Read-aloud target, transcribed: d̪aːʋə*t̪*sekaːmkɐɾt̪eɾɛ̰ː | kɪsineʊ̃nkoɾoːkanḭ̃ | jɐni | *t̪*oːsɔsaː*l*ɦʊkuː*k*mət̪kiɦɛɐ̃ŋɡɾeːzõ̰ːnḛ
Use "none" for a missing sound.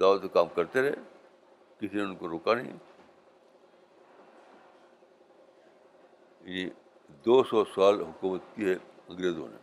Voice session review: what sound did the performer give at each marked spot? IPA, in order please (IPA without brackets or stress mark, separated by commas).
t̪, d̪, l, none